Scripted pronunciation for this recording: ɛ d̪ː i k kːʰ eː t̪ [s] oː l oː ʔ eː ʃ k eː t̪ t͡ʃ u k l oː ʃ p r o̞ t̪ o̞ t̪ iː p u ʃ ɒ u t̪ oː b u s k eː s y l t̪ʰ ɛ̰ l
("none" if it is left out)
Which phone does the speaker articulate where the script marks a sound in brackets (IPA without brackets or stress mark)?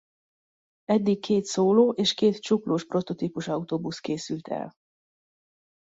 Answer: s